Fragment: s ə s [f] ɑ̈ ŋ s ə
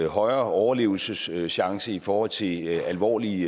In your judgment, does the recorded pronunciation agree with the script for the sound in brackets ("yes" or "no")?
no